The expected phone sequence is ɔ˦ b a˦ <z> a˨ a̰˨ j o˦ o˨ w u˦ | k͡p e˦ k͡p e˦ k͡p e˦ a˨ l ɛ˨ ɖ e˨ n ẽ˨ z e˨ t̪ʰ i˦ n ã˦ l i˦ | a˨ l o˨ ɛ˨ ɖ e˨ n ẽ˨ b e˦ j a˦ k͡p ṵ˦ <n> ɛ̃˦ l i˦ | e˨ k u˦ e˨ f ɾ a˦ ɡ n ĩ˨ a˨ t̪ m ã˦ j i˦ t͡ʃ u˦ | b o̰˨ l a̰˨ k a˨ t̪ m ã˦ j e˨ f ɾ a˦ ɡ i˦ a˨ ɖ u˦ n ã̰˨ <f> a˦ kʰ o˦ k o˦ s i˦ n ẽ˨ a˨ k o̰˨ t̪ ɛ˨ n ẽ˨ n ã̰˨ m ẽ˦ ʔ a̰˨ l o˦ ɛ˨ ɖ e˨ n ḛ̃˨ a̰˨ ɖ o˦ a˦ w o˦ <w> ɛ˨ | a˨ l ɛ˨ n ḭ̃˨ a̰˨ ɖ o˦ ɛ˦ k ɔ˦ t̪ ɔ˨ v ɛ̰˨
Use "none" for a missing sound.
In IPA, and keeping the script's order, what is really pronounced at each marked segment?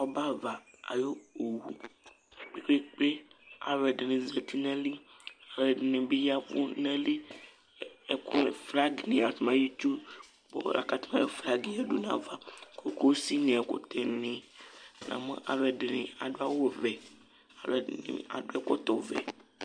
v, n, v, v

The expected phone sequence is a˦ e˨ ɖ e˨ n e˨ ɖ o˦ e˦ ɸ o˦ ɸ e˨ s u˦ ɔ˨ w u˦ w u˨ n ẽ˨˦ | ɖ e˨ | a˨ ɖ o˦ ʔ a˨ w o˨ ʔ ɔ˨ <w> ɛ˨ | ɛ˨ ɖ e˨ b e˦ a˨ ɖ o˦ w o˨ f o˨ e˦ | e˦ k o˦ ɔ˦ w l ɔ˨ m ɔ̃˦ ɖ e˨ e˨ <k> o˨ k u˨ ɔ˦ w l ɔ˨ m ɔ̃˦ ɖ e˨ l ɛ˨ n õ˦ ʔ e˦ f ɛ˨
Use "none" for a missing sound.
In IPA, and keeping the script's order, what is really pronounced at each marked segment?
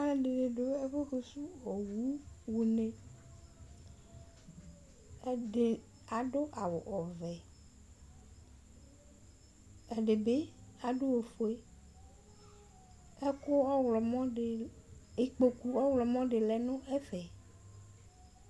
v, k͡p

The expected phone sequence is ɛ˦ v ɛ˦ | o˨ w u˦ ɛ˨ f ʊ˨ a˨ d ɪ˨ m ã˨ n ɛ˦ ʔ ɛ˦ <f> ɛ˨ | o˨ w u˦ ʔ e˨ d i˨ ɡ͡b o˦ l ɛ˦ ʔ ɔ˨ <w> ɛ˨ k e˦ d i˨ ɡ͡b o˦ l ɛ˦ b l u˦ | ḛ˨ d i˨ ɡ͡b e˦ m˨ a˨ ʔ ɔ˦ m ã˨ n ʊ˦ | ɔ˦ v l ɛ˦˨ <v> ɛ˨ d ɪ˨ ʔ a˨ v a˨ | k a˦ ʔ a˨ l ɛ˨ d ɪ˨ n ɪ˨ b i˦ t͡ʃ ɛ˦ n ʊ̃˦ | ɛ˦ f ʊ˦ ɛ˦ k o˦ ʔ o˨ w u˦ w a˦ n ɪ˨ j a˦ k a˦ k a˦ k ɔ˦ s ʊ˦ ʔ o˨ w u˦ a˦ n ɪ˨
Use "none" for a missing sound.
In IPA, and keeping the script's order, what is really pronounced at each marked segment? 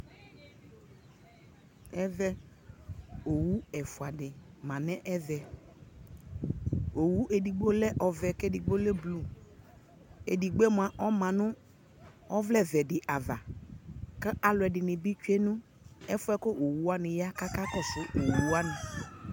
v, v, v

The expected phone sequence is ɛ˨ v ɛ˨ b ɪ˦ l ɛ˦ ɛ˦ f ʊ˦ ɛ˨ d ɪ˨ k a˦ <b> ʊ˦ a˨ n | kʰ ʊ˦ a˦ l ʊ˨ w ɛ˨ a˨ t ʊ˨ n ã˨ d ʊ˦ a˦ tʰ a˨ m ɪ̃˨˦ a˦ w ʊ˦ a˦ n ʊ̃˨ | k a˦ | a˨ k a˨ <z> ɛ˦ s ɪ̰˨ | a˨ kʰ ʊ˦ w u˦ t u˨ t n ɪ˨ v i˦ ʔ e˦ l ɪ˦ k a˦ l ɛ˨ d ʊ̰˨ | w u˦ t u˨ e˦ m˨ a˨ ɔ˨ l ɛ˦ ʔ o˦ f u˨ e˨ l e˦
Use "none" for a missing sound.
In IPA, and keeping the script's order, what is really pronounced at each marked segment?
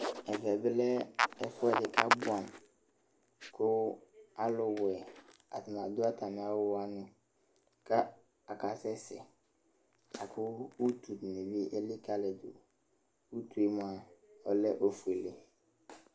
b, s

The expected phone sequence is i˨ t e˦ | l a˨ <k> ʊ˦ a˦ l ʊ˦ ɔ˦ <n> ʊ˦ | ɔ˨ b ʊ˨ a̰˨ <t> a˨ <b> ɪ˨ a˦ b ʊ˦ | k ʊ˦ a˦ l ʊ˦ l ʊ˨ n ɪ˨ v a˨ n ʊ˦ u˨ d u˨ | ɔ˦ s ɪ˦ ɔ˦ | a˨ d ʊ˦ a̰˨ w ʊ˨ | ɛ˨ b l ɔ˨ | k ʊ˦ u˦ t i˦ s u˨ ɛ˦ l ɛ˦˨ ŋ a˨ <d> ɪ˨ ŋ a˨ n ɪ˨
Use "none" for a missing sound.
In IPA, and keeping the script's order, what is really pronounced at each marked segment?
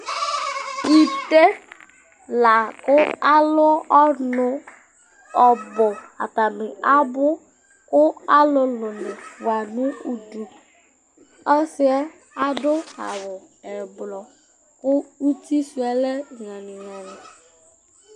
k, n, t, m, n

